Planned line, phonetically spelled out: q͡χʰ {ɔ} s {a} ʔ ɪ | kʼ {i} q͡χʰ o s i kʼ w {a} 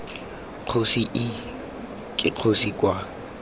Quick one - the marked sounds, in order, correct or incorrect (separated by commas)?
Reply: incorrect, incorrect, incorrect, correct